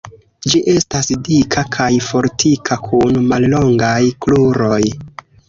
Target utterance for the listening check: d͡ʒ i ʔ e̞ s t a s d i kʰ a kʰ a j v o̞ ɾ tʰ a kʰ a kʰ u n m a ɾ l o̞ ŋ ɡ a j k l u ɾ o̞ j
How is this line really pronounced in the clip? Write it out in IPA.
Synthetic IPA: d͡ʒ i ʔ e̞ s t a s d i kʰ a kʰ a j f o̞ ɾ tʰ i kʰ a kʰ u n m a l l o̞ ŋ ɡ a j k l u ɾ o̞ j